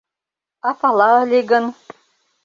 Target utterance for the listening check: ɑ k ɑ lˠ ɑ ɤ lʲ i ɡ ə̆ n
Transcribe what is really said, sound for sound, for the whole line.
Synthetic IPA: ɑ p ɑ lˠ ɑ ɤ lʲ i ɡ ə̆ n